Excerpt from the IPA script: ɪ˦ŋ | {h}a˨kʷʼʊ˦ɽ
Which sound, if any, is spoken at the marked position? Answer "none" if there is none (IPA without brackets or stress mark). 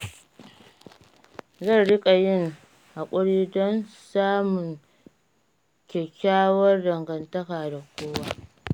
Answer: h